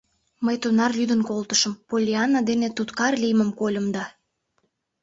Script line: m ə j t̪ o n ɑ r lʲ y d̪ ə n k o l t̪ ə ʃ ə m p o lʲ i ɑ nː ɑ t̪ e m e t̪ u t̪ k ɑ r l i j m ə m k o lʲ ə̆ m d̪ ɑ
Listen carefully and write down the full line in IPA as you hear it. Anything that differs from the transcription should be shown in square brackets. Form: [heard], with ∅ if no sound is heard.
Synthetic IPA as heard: m ə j t̪ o n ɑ r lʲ y d̪ ə n k o l t̪ ə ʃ ə m p o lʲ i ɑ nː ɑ [d̪] e [n] e t̪ u t̪ k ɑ r l i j m ə m k o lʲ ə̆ m d̪ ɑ